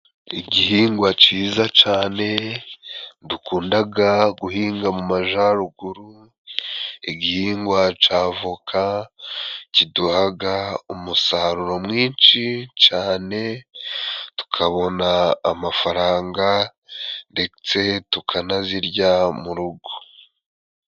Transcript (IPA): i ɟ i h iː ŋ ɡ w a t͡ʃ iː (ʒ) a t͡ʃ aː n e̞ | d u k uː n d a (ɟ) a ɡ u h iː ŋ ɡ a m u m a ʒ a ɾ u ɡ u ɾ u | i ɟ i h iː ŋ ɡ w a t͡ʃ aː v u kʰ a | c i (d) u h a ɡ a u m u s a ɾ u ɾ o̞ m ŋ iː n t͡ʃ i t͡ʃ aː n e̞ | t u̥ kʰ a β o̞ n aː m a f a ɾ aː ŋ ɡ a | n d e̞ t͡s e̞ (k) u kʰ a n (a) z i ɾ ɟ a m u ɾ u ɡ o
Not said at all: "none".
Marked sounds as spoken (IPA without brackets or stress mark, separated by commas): z, ɡ, d, t, a